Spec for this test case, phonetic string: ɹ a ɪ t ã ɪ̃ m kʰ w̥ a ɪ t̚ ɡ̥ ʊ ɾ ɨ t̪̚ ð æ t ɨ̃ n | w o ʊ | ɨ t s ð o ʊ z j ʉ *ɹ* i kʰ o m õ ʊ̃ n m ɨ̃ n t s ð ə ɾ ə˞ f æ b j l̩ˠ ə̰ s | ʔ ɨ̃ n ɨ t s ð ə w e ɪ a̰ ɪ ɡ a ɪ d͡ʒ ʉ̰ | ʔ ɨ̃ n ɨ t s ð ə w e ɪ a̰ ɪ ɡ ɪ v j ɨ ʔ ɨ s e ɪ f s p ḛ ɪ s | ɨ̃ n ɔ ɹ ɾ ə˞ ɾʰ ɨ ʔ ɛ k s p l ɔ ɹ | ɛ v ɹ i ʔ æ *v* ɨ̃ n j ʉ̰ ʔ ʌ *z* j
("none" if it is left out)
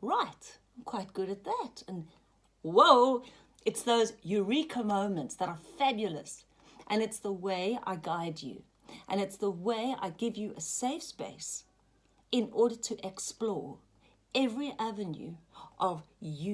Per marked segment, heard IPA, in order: ɹ, v, v

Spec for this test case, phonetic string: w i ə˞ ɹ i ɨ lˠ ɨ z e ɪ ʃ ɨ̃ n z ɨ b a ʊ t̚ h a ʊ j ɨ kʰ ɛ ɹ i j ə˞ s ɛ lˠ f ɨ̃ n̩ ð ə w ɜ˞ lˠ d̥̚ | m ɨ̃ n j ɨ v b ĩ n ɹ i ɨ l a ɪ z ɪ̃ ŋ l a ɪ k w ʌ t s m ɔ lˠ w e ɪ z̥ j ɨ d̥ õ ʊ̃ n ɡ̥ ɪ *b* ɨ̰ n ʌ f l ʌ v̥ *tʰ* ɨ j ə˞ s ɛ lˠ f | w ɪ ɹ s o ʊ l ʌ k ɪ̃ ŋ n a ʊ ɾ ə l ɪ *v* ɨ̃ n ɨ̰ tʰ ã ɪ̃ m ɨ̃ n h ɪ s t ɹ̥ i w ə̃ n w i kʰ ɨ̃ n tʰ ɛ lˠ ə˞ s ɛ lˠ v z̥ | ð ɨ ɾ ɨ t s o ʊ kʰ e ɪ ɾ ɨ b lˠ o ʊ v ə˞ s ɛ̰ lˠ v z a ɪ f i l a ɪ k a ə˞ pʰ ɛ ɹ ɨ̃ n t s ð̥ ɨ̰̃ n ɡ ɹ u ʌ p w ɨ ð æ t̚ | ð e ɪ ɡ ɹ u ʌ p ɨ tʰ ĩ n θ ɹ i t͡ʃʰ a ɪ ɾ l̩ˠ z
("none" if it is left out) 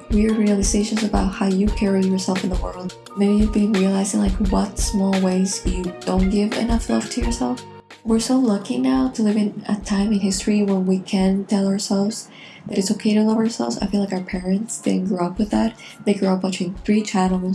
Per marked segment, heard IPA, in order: v, tʰ, v

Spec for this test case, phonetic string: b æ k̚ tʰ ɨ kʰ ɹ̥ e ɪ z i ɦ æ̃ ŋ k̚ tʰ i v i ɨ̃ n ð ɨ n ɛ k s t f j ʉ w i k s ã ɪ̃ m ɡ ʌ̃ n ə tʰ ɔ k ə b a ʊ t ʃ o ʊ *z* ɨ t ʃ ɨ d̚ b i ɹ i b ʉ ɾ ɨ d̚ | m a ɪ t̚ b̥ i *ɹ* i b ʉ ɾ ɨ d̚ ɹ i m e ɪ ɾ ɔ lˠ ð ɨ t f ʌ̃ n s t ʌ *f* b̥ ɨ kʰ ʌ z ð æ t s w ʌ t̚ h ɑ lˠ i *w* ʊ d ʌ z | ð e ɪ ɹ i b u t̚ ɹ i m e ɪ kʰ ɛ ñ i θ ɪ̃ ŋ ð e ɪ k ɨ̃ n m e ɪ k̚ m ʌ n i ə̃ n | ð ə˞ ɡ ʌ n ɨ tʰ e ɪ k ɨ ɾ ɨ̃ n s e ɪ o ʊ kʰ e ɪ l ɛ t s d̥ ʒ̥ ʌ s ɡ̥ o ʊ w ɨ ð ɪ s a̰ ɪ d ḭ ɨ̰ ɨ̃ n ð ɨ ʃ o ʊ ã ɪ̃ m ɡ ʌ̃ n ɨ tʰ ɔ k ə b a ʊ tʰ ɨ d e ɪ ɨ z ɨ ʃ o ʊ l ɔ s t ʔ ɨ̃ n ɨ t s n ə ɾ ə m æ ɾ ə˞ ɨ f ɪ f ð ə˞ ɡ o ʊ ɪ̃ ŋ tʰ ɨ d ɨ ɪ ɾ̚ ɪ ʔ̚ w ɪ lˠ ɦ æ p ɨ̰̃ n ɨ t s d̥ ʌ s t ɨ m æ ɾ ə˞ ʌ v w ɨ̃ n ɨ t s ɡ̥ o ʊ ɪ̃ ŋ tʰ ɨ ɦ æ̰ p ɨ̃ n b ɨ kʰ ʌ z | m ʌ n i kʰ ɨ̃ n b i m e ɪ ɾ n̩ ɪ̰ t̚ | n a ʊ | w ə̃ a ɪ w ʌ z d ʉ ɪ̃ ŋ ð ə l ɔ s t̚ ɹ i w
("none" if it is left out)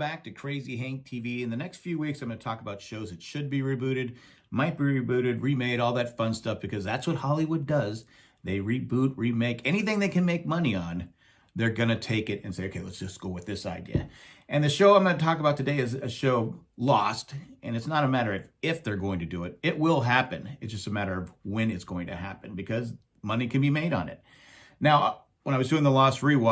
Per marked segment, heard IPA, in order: z, ɹ, f, w

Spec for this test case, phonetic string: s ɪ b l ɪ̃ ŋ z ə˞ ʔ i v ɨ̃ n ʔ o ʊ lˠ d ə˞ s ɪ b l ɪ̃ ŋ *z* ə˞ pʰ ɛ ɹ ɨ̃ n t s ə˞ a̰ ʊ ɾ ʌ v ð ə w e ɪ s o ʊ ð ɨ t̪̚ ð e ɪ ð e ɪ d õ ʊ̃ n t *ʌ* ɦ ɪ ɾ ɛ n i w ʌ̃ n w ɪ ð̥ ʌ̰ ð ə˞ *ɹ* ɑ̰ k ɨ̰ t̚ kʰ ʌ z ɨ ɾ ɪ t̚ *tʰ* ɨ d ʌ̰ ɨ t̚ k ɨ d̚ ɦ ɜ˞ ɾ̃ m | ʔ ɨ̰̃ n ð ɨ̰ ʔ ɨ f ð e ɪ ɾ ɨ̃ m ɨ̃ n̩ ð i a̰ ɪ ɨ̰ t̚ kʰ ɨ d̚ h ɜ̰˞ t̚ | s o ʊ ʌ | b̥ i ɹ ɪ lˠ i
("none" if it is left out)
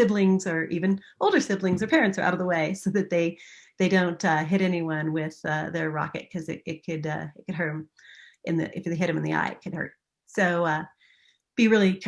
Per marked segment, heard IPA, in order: z, ʌ, ɹ, kʰ

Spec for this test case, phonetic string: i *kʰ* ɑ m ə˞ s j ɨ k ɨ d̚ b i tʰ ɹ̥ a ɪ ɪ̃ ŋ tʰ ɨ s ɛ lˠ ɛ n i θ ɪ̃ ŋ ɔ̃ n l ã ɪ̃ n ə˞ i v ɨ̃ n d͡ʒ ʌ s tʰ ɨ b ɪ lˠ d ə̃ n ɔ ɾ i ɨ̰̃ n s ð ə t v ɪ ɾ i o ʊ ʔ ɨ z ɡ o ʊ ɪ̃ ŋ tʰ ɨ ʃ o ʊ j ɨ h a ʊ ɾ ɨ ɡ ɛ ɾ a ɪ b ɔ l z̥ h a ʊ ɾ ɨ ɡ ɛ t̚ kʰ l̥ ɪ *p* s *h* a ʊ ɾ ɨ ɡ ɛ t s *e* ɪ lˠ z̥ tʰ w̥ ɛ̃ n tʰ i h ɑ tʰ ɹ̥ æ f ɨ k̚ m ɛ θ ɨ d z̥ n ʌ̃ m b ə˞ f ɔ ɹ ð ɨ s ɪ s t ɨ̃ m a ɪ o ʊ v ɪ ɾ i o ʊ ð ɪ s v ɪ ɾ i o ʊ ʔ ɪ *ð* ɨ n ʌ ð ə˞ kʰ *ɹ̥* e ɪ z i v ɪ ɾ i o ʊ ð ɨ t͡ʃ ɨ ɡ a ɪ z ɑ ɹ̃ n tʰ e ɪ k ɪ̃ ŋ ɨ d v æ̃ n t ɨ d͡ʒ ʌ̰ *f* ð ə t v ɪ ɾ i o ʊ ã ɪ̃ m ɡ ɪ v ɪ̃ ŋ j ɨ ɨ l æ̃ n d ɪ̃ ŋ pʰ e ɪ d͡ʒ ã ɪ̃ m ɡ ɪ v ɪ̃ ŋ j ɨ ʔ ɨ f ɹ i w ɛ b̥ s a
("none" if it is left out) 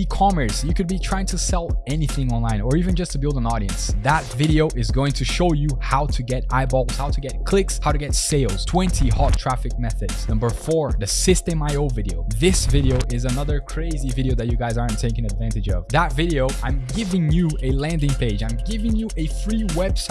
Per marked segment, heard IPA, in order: kʰ, k, h, e, z, ɹ̥, v

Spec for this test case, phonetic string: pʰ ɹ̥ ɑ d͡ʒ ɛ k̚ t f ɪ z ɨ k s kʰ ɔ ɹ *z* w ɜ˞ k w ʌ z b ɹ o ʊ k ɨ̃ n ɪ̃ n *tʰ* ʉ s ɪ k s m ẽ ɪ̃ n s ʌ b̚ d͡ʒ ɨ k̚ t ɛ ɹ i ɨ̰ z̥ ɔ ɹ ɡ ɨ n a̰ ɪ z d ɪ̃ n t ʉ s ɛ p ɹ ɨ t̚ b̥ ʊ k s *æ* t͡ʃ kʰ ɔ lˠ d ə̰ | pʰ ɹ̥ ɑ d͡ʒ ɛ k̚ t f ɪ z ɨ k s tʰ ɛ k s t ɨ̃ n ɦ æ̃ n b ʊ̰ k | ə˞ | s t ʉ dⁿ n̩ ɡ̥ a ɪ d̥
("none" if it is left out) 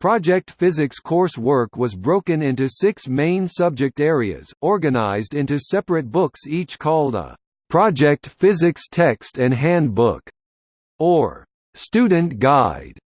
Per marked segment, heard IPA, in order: s, t, i

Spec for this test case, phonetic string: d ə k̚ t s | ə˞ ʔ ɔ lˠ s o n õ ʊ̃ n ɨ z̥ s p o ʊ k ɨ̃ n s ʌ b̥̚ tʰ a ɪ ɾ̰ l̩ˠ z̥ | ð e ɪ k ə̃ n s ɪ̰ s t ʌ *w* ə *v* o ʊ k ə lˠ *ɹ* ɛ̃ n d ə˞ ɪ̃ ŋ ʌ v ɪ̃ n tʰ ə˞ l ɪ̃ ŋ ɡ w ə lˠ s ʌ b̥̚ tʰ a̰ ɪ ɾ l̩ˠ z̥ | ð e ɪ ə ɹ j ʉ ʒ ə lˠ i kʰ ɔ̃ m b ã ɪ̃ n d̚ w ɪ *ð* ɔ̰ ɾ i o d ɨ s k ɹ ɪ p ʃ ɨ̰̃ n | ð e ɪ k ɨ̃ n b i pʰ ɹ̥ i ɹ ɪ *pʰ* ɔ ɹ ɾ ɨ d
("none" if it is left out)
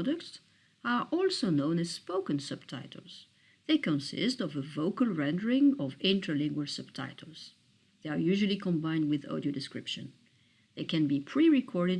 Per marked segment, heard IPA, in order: v, v, ɹ, ð, kʰ

